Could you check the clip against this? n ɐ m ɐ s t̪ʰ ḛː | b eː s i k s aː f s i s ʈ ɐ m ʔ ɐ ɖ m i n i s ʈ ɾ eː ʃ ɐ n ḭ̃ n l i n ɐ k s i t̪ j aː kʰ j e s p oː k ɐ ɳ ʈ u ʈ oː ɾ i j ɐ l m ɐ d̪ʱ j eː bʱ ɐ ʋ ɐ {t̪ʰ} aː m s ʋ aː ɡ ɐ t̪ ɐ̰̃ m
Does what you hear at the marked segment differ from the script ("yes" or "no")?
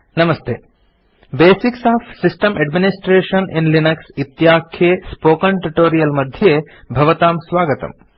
yes